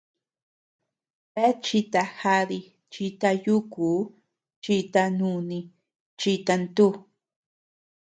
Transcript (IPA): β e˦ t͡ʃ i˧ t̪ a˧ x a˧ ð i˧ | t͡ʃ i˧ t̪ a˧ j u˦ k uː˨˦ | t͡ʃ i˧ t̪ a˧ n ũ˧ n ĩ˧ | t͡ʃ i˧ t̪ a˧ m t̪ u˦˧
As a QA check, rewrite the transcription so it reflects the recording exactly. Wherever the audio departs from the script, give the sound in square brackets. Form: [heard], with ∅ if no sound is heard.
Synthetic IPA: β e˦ t͡ʃ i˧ t̪ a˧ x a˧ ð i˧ | t͡ʃ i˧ t̪ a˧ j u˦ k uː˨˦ | t͡ʃ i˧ t̪ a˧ n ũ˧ n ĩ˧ | t͡ʃ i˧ t̪ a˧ [n] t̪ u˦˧